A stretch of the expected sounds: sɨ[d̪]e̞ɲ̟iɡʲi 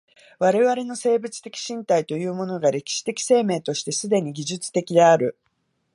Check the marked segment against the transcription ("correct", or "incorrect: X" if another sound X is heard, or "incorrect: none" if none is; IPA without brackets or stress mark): correct